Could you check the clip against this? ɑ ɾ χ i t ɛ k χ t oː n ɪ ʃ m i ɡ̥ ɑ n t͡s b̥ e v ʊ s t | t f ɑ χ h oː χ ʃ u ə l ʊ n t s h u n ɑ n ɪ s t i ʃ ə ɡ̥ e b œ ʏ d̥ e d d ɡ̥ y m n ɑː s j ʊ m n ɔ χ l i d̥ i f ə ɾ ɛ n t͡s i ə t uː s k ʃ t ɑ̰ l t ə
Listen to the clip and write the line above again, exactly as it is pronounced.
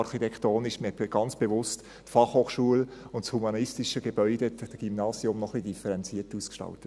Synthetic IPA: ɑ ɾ χ i t ɛ k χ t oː n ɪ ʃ m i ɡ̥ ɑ n t͡s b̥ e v ʊ s t | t f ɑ χ h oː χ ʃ u ə l ʊ n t s h u m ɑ n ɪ s t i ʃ ə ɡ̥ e b œ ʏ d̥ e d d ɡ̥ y m n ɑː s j ʊ m n ɔ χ l i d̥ i f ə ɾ ɛ n t͡s i ə t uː s k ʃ t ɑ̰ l t ə